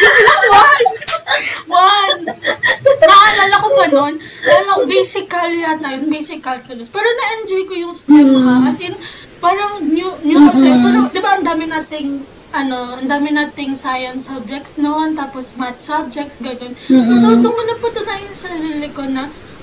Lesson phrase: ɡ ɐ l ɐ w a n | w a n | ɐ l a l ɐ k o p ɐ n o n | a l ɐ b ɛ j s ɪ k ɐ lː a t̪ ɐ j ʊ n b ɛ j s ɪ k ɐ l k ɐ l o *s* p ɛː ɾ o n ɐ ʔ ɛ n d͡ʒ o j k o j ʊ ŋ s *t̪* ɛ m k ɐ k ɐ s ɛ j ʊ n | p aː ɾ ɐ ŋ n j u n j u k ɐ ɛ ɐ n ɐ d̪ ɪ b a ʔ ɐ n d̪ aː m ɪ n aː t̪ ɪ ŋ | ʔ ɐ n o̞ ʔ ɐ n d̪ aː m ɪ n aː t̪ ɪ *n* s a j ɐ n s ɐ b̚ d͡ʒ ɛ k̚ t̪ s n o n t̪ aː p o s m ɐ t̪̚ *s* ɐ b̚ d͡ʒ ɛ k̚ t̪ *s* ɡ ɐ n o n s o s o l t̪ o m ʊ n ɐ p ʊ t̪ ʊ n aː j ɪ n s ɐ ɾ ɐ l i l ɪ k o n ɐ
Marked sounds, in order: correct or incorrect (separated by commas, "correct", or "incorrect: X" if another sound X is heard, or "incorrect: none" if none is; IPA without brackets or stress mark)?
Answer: correct, correct, incorrect: ŋ, correct, correct